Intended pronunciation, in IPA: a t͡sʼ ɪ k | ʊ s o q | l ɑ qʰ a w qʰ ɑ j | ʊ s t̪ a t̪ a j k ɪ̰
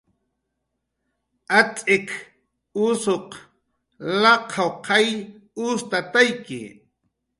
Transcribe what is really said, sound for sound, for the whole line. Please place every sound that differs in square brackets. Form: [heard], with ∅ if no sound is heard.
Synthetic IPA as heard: a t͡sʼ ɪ k | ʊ s o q | l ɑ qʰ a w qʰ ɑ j | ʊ s t̪ a t̪ a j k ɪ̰